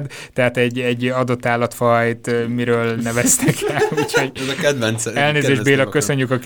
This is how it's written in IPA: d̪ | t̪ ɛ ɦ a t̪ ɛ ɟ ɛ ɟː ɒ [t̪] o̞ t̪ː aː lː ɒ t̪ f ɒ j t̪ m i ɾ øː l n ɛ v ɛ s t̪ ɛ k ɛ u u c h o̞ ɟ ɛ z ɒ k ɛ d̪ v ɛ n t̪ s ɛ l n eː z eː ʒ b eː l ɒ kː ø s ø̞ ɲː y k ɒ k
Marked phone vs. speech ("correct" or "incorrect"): incorrect